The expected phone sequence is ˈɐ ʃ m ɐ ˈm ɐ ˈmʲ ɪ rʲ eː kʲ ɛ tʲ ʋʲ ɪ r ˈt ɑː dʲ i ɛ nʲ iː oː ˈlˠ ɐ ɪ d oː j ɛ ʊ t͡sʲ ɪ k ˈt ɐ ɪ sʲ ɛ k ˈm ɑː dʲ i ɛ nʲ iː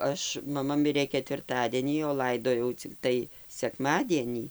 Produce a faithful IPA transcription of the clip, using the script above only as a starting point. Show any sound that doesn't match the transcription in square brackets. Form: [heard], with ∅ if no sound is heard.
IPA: ˈɐ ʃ m ɐ ˈm ɐ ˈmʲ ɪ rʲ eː kʲ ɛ tʲ ʋʲ ɪ r ˈt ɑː dʲ i ɛ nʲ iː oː ˈlˠ ɐ ɪ d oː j ɛ ʊ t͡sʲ ɪ k ˈt ɐ ɪ sʲ ɛ k ˈm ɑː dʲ i ɛ nʲ iː